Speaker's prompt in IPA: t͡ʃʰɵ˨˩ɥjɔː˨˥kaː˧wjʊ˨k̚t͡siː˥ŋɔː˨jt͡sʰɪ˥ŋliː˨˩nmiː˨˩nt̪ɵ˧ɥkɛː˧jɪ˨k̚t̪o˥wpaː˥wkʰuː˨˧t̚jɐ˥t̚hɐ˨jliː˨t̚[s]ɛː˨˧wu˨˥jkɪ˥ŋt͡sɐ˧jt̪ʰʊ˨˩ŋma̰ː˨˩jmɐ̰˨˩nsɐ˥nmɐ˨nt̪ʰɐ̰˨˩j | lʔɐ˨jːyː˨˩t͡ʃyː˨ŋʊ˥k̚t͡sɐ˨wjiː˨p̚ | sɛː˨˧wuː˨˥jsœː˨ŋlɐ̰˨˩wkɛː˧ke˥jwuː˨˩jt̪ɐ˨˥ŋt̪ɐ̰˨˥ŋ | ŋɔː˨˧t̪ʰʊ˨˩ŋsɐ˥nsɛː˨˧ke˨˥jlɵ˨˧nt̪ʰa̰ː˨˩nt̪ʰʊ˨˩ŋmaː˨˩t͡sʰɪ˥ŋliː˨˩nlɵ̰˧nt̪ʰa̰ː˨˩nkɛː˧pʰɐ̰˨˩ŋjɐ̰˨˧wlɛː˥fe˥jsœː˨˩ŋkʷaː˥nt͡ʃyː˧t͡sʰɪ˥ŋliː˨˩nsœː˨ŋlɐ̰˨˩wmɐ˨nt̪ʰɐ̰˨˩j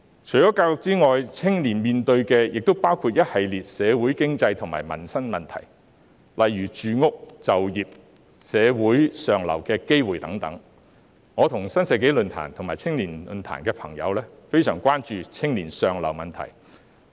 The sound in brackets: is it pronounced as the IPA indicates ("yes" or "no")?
yes